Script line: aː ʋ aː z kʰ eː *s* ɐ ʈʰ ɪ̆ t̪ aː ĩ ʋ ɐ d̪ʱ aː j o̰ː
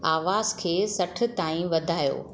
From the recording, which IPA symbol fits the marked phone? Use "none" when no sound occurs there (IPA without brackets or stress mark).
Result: s